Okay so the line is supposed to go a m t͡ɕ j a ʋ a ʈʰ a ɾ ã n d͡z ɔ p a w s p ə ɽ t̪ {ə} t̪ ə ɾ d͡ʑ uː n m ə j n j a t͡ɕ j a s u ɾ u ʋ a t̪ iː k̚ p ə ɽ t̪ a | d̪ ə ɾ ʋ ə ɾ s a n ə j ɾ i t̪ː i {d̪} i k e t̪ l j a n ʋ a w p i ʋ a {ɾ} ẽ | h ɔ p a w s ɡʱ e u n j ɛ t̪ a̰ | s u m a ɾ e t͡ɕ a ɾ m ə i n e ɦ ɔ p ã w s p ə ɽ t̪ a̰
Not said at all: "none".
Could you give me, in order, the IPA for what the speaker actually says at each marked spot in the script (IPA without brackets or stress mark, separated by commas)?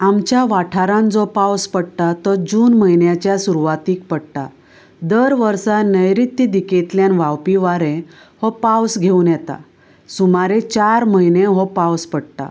a, d̪, ɾ